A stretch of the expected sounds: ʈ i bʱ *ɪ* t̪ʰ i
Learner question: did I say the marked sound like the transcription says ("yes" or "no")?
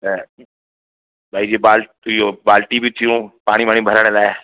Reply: no